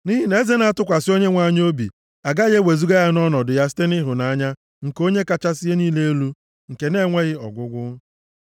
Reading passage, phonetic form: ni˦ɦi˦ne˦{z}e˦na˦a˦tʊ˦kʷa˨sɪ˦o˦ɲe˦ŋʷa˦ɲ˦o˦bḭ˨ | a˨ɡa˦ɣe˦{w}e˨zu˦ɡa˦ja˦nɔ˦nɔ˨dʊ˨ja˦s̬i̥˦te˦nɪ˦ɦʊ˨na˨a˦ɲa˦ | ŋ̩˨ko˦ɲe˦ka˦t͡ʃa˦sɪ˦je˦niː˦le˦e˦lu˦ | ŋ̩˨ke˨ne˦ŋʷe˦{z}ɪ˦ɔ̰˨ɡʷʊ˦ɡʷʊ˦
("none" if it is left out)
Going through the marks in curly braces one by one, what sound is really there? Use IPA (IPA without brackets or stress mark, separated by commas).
z, w, ɣ